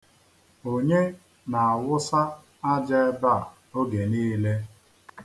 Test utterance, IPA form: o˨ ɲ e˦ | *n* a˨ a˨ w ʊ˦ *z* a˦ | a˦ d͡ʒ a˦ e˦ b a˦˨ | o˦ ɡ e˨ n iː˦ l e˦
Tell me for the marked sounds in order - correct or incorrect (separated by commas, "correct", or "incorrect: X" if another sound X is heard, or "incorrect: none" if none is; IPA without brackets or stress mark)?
correct, incorrect: s